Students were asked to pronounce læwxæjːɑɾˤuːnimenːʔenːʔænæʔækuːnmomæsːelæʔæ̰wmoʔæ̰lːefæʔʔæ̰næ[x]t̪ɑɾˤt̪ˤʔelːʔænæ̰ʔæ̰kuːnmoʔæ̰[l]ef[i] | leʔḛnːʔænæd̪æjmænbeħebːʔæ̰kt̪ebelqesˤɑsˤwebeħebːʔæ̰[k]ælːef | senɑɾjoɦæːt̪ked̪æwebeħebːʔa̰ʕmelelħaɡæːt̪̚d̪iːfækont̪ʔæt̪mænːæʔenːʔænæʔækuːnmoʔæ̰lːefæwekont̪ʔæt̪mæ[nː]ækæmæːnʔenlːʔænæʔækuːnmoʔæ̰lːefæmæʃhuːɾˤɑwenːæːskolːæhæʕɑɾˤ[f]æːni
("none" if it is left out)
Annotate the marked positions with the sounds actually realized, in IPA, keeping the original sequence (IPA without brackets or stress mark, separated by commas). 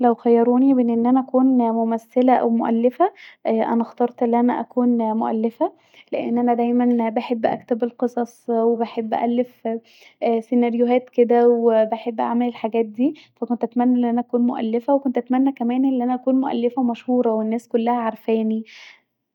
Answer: x, lː, æ, ʔ, nː, f